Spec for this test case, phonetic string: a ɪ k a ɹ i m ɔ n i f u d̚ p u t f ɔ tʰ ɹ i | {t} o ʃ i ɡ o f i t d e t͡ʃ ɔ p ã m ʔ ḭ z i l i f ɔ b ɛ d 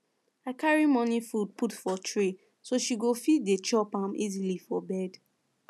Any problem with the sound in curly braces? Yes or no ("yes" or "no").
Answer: yes